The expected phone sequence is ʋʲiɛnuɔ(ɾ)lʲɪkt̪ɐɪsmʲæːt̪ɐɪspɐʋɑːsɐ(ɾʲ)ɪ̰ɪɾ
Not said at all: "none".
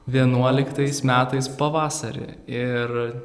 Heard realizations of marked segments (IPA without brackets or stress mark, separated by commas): none, ɾʲ